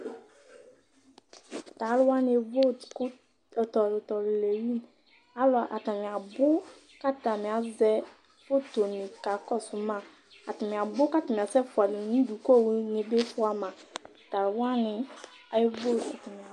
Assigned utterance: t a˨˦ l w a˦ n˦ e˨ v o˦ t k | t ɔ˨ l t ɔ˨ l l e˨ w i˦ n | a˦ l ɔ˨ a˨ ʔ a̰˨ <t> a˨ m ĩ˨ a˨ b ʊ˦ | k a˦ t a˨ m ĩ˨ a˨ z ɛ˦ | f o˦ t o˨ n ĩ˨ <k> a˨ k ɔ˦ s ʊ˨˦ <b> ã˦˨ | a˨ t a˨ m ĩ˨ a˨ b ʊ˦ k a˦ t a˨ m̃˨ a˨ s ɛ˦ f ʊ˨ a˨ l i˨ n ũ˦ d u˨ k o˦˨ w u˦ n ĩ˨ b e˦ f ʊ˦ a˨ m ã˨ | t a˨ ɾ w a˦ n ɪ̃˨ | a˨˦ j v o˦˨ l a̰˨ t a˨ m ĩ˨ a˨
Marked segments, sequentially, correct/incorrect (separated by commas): correct, correct, incorrect